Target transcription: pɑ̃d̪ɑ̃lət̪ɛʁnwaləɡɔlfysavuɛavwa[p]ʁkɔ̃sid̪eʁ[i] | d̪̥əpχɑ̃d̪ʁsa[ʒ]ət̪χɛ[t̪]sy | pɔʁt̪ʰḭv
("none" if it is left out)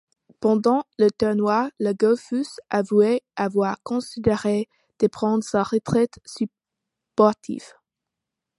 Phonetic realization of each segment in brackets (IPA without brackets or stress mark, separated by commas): none, e, ʁ, t̪